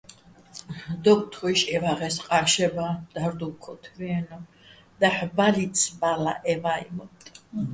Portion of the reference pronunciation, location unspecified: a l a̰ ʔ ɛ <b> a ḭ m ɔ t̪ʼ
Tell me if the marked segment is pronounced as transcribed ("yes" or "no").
no